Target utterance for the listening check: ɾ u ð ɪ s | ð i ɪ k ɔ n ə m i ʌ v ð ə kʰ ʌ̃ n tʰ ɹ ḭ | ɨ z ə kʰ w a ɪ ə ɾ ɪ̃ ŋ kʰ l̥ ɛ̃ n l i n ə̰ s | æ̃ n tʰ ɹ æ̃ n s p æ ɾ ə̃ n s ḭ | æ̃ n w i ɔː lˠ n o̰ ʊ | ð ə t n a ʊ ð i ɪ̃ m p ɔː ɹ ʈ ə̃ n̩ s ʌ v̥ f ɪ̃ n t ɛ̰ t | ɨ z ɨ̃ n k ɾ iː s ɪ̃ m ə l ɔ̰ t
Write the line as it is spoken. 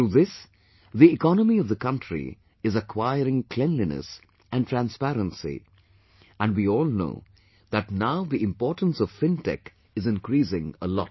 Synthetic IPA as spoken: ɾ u ð ɪ s | ð i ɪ k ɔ n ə m i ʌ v ð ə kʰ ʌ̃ n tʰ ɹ ḭ | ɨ z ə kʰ w a ɪ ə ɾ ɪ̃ ŋ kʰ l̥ ɛ̃ n l i n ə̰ s | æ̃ n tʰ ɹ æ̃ n s p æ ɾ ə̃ n s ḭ | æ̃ n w i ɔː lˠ n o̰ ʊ | ð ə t n a ʊ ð i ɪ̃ m p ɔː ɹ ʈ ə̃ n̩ s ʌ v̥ f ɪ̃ n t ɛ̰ k | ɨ z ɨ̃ n k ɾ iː s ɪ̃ ŋ ə l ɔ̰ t

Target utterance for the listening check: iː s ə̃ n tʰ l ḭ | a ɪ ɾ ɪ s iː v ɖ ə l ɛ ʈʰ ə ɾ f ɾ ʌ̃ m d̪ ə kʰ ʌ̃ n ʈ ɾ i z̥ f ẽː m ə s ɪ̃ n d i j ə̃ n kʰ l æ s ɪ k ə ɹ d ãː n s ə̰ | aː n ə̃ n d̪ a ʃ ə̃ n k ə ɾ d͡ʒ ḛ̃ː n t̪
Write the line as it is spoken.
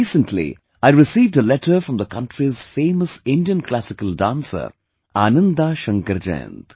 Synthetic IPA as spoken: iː s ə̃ n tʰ l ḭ | a ɪ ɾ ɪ s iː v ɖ ə l ɛ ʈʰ ə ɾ f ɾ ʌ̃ m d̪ ə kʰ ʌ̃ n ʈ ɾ i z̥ f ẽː m ə s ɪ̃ n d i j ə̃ n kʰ l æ s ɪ k ə l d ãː n s ə̰ | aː n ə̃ n d̪ a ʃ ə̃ ŋ k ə ɾ d͡ʒ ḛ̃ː n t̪

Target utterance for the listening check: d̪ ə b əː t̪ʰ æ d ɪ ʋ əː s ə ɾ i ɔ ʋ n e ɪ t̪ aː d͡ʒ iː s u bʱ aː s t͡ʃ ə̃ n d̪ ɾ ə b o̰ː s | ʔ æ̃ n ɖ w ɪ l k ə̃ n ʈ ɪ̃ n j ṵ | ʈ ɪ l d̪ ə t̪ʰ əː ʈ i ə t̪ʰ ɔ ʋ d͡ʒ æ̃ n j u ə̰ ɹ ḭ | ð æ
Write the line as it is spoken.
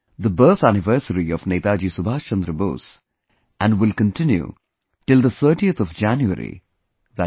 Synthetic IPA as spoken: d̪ ə b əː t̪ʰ æ n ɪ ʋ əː s ə ɾ i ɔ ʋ n e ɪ t̪ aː d͡ʒ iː s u bʱ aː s t͡ʃ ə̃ n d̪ ɾ ə b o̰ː s | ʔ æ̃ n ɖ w ɪ l k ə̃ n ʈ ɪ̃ n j ṵ | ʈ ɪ l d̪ ə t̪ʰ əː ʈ i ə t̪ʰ ɔ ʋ d͡ʒ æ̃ n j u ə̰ ɾ ḭ | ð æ

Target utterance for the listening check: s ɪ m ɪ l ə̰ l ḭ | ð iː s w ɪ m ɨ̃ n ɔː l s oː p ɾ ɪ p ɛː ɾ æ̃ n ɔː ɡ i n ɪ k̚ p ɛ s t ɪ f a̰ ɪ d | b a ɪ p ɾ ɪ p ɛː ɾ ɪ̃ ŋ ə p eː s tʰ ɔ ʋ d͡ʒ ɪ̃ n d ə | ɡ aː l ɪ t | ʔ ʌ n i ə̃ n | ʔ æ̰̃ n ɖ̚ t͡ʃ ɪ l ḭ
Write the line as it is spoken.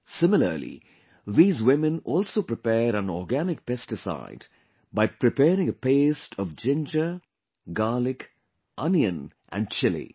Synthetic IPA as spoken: s ɪ m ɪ l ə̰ l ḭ | ð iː z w ɪ m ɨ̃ n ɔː l s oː p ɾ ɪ p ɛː ɾ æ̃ n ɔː ɡ æ n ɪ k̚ p ɛ s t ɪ s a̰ ɪ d | b a ɪ p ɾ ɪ p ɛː ɾ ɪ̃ ŋ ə p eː s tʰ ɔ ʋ d͡ʒ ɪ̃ n d͡ʒ ə | ɡ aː l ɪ k | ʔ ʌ n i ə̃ n | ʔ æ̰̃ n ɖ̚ t͡ʃ ɪ l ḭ

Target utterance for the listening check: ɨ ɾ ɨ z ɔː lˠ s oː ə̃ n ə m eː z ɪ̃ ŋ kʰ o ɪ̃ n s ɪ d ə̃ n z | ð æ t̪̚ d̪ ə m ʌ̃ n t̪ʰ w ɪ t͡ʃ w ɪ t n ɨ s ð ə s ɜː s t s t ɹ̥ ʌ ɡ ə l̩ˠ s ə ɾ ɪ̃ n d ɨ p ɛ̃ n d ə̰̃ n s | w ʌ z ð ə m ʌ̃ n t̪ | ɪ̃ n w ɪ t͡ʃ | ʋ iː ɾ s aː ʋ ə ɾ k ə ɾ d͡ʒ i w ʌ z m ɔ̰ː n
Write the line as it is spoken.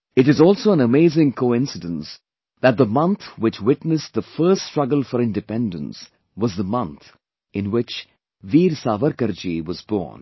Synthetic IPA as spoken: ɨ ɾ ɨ z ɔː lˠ s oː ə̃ n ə m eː z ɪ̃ ŋ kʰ o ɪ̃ n s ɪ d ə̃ n s | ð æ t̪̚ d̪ ə m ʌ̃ n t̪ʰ w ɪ t͡ʃ w ɪ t n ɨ s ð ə f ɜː s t s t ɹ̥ ʌ ɡ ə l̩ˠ f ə ɾ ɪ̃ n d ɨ p ɛ̃ n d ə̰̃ n s | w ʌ z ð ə m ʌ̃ n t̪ | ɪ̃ n w ɪ t͡ʃ | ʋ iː ɾ s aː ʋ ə ɾ k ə ɾ d͡ʒ i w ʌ z b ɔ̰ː n

